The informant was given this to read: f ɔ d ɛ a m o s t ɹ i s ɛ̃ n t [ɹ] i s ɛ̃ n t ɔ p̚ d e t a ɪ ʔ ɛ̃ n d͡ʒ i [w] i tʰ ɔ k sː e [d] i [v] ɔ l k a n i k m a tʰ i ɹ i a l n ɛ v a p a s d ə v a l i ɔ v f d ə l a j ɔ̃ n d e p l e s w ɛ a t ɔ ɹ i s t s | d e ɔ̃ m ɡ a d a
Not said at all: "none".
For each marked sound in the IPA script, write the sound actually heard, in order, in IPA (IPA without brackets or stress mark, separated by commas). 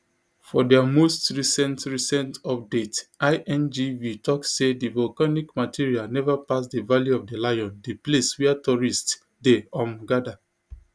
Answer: ɹ, v, d, v